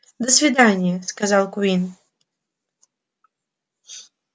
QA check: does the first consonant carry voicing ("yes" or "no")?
yes